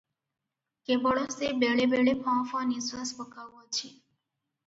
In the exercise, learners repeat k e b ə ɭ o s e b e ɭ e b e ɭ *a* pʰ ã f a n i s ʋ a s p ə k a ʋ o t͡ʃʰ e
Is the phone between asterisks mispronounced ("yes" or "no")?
yes